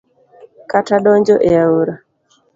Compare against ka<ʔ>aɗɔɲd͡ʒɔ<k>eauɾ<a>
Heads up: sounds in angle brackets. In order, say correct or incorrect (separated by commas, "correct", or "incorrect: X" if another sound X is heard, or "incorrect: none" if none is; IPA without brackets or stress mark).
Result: incorrect: t, incorrect: ʔ, correct